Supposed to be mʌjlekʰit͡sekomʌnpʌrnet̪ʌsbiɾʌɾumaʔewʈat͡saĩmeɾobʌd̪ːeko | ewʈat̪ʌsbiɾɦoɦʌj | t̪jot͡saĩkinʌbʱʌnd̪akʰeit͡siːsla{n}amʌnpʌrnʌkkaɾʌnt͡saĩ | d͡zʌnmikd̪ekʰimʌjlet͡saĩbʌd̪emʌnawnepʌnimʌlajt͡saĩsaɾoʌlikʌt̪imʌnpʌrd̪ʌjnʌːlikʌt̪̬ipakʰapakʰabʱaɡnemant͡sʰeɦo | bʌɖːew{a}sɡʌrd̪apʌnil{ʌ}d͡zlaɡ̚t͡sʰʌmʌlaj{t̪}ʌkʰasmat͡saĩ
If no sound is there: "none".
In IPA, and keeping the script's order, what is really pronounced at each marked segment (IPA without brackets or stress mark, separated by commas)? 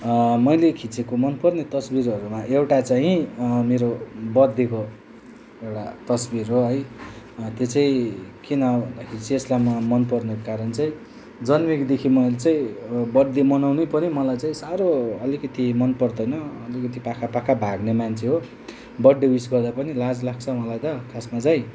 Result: m, i, a, t̪